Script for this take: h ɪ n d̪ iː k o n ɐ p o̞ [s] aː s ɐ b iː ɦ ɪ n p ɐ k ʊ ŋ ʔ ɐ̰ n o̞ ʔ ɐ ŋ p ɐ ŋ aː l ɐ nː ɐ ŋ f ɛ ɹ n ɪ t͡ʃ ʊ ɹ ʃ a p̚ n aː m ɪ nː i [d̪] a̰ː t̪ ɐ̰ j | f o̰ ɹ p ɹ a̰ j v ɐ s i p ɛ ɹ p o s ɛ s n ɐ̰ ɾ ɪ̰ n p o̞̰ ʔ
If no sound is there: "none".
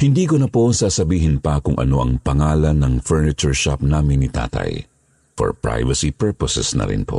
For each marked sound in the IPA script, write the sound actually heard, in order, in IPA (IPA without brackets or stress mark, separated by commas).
s, t̪